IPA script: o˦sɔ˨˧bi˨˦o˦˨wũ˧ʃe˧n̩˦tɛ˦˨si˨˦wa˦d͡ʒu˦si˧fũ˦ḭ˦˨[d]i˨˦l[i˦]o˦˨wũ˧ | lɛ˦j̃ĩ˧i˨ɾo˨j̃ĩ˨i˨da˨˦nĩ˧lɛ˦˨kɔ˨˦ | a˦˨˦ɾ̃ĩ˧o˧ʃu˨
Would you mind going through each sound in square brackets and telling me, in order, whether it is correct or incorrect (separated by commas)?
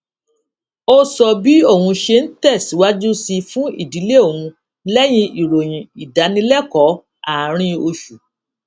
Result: correct, incorrect